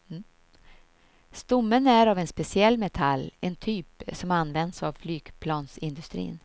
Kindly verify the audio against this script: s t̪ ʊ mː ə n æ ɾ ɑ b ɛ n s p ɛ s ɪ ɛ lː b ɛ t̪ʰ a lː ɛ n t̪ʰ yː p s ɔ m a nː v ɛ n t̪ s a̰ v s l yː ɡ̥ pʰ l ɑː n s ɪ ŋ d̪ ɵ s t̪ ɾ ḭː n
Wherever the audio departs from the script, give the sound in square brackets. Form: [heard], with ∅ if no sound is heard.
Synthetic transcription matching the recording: s t̪ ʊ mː ə n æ ɾ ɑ [v] ɛ n s p ɛ s ɪ ɛ lː [m] ɛ t̪ʰ a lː ɛ n t̪ʰ yː p s ɔ m a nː v ɛ n [d̪] s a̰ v [f] l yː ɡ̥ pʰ l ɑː n s ɪ [n] d̪ ɵ s t̪ ɾ ḭː n